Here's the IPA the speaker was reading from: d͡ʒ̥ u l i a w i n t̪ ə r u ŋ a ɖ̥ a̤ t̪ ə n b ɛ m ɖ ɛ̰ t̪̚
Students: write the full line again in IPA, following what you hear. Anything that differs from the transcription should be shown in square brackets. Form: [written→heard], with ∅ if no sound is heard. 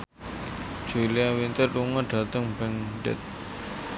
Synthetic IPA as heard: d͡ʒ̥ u l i a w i n t̪ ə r u ŋ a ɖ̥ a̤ t̪ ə [n→ŋ] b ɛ [m→ŋ] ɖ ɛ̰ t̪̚